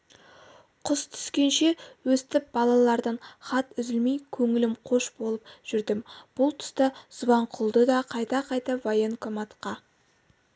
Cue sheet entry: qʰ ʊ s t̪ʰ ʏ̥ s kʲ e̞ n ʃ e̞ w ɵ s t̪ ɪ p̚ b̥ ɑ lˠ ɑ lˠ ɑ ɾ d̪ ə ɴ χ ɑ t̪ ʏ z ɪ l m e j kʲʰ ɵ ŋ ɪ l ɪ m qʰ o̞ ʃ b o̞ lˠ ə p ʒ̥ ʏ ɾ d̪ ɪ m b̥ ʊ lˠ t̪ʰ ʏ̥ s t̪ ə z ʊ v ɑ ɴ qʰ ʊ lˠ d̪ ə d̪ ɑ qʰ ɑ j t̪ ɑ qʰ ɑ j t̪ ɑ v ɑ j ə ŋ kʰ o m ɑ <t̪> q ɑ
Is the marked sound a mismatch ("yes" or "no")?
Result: no